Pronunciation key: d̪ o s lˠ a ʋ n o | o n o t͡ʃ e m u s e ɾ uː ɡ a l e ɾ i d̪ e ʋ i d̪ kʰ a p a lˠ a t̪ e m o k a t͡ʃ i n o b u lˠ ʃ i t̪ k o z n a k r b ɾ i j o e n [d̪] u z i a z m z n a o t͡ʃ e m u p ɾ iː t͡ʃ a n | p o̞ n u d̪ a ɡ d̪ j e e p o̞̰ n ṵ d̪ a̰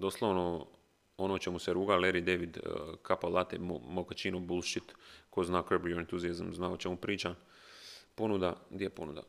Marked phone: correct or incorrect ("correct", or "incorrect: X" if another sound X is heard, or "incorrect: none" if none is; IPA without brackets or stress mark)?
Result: incorrect: t̪